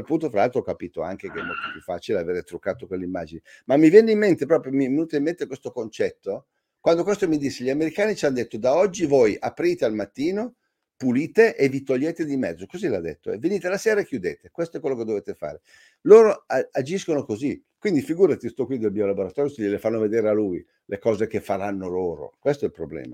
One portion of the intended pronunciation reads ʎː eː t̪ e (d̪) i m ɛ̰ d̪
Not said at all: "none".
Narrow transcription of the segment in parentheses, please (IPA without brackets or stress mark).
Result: d̪